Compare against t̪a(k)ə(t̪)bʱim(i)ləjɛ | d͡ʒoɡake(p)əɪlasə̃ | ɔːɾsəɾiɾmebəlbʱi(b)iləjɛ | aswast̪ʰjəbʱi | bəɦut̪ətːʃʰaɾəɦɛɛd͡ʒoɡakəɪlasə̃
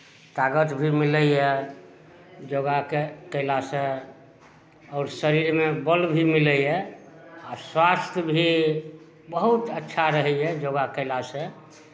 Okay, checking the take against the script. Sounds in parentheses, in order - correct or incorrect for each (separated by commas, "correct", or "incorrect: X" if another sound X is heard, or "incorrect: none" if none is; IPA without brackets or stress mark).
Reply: incorrect: ɡ, correct, correct, incorrect: k, incorrect: m